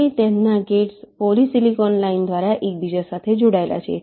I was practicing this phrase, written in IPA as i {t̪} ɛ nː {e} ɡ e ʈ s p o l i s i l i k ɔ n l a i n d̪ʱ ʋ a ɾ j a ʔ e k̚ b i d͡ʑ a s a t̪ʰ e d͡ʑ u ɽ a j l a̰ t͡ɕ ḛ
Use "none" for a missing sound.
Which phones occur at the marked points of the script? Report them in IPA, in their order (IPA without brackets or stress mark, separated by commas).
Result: t̪, a